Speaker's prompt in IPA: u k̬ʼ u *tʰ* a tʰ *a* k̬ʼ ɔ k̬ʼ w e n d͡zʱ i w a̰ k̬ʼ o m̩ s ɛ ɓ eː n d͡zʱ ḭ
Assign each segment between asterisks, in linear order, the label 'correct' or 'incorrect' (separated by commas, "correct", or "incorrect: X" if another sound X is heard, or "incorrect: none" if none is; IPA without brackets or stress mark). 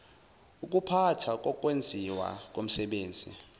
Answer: incorrect: pʰ, correct